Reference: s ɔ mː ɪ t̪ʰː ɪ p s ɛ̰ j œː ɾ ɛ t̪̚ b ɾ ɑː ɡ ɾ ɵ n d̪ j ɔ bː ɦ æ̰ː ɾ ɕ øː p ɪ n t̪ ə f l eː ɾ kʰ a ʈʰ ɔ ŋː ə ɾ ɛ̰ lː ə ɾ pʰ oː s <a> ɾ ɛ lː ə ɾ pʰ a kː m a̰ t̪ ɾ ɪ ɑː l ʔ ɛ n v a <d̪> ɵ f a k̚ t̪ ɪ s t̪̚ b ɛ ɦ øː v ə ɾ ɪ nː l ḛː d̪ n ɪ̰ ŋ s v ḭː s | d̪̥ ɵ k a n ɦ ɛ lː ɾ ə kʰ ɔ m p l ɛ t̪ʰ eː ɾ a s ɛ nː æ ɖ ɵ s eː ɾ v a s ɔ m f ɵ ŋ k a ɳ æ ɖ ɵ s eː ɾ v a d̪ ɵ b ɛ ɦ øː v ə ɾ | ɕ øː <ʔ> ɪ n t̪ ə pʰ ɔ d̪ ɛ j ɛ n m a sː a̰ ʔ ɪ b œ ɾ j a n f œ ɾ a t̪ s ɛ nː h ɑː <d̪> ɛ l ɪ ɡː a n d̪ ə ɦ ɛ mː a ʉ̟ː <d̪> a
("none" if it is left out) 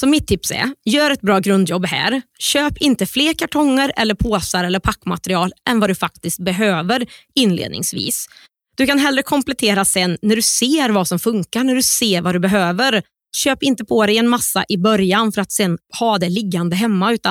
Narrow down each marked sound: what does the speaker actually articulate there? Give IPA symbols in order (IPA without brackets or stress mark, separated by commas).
a, d̪, p, d̪, t̪